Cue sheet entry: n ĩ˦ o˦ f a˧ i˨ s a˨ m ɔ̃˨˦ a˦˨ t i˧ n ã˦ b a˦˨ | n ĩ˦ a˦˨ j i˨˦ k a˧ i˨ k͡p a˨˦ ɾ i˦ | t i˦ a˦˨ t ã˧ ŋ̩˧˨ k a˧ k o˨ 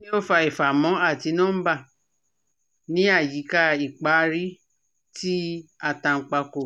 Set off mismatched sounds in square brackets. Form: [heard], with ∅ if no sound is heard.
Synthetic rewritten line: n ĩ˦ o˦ f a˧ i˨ [f] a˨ m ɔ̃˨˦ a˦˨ t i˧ n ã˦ b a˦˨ | n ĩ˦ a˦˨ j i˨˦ k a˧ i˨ k͡p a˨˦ ɾ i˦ | t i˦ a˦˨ t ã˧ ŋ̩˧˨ [k͡p] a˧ k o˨